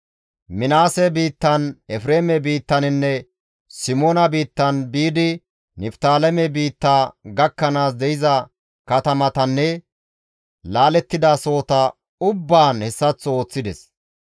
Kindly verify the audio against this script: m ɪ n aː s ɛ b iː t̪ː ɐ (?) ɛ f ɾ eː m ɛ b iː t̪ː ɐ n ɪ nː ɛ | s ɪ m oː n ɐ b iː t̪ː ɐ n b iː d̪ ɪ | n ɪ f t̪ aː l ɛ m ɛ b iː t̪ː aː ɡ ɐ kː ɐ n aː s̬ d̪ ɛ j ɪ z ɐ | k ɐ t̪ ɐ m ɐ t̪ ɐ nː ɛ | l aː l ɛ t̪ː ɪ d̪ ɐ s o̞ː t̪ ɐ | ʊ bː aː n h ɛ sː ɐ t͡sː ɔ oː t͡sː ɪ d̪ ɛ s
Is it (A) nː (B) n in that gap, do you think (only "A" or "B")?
B